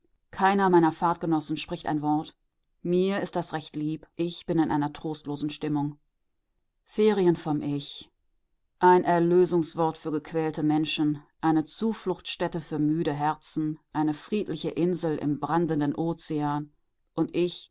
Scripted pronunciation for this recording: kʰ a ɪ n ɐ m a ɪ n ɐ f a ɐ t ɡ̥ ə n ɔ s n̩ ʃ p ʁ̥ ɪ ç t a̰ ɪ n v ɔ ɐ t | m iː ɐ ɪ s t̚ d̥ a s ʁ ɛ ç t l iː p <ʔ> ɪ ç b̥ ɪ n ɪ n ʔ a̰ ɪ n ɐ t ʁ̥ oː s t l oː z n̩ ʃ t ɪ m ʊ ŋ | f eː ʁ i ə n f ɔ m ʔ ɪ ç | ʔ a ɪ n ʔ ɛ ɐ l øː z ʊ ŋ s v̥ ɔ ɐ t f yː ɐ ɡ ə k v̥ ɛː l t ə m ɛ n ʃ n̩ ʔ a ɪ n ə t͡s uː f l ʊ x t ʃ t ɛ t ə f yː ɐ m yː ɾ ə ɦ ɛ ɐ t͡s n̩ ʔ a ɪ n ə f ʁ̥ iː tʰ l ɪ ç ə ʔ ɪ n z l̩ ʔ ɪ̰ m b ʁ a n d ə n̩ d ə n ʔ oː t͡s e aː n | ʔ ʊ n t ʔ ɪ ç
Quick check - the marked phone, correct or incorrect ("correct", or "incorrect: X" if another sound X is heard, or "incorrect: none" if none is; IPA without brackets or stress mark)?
correct